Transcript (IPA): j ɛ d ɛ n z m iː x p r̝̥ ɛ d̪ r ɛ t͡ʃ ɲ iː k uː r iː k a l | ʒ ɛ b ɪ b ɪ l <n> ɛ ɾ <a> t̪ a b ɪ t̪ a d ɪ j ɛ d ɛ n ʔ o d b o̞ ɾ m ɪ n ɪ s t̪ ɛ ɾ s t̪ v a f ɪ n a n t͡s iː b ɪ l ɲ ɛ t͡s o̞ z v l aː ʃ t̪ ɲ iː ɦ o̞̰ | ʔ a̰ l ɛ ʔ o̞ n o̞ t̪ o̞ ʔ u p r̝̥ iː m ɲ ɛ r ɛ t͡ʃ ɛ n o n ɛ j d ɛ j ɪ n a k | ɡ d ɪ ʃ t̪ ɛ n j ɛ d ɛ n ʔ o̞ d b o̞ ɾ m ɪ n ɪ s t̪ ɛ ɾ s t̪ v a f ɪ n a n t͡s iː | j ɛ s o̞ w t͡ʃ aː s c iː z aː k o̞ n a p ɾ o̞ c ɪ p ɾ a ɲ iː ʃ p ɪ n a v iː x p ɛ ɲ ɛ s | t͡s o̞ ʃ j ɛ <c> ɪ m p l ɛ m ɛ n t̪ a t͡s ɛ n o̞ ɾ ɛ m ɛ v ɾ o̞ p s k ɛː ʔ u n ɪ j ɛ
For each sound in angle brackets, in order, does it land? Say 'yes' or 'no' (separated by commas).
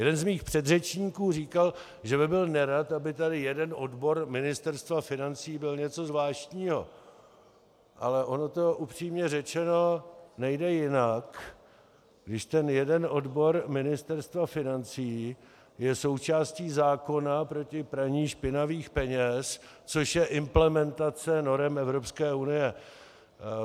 yes, yes, no